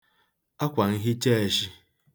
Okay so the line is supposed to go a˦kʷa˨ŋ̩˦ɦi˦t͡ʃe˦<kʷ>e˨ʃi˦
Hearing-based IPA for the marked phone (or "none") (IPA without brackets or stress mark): none